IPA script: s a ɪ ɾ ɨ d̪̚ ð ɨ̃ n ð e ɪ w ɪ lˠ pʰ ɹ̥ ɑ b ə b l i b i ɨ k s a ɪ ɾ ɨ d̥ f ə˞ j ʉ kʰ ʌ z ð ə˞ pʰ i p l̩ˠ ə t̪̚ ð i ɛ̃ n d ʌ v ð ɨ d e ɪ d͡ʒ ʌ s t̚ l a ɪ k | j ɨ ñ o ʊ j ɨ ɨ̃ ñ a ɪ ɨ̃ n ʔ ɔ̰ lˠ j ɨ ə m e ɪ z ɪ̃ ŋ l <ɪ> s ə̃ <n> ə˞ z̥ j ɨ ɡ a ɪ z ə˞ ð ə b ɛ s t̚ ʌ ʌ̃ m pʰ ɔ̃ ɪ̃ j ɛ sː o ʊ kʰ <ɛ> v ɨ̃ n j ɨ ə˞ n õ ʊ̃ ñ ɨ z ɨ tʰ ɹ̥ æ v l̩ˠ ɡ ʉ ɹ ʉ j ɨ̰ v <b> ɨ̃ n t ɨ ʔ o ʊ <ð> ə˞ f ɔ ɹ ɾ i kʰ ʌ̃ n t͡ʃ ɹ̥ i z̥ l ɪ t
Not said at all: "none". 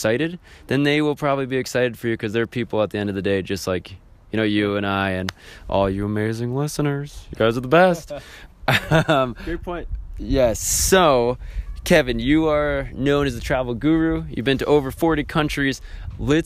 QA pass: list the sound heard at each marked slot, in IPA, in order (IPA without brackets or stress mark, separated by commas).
ɪ, n, ɛ, b, v